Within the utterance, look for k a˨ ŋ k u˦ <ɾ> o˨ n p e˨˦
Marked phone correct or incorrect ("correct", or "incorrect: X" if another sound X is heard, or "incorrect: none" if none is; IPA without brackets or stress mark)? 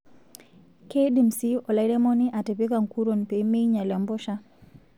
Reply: correct